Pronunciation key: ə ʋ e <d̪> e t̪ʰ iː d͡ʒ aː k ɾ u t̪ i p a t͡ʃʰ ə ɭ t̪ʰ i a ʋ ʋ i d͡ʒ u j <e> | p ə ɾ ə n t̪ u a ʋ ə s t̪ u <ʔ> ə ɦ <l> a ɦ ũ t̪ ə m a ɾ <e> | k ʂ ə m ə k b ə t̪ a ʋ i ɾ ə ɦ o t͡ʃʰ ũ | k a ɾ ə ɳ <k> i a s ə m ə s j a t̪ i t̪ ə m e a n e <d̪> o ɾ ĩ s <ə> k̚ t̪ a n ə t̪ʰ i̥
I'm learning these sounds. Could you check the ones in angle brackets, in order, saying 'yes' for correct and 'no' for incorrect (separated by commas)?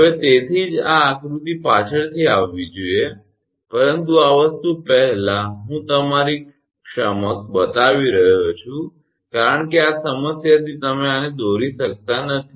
no, yes, no, yes, no, yes, yes, yes